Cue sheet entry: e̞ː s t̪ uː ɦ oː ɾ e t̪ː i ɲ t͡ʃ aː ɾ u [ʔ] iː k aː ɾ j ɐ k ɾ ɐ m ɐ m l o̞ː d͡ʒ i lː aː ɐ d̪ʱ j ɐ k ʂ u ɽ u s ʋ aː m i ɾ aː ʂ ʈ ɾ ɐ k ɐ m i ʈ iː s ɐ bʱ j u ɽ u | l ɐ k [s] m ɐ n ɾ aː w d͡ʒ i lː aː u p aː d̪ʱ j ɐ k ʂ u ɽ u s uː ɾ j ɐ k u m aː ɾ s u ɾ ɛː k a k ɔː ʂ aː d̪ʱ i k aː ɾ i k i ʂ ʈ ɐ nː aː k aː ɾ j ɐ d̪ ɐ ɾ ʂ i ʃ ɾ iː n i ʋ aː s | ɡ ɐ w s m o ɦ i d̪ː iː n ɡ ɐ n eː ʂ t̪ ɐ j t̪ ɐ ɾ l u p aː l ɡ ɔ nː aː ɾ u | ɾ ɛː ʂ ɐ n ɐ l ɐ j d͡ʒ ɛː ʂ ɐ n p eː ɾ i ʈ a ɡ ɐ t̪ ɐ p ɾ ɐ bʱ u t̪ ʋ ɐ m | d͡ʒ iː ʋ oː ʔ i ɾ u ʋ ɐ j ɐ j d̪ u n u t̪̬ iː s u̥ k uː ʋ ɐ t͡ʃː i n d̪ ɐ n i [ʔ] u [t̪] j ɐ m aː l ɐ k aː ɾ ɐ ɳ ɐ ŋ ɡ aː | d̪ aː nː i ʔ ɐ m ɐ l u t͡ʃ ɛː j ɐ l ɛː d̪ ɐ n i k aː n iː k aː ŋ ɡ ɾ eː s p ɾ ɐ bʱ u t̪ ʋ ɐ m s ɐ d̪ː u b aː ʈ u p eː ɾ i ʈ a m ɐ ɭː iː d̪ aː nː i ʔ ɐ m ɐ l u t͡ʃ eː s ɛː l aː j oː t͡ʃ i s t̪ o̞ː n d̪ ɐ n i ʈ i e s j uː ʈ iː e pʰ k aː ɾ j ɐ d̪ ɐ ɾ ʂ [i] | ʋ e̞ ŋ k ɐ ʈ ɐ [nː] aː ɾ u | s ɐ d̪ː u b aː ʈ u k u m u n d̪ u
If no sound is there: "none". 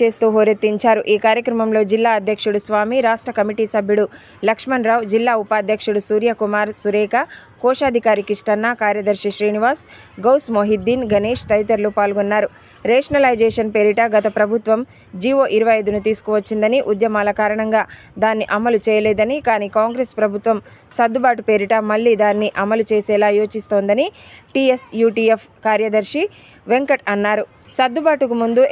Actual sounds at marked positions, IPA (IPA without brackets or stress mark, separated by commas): ʔ, ʂ, ʔ, d̪, i, nː